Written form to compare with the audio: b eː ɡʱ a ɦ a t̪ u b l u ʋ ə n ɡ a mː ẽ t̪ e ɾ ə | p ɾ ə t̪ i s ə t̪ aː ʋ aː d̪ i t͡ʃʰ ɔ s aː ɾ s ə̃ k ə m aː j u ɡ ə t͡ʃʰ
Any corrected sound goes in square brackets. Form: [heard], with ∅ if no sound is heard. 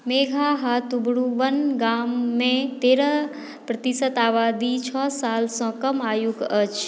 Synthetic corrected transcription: [m] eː ɡʱ a ɦ a t̪ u b [ɽ] u ʋ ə n ɡ a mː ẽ t̪ e ɾ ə | p ɾ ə t̪ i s ə t̪ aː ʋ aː d̪ i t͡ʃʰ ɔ s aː [l] s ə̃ k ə m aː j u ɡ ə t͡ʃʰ